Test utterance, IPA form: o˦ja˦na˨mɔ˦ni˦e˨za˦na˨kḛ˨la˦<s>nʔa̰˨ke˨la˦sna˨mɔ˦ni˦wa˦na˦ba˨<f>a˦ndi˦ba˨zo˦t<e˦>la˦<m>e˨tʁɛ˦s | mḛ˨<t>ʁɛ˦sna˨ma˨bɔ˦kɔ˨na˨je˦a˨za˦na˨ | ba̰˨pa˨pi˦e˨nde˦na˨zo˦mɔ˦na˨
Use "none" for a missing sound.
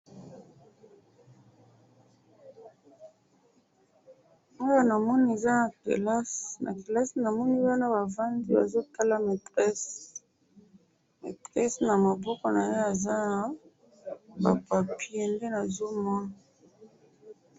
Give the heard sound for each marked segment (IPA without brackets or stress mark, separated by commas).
s, v, a˦, m, t